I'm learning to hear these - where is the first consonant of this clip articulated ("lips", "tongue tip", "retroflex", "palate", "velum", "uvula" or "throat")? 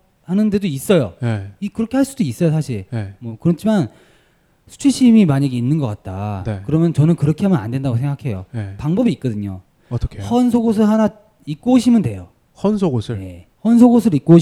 throat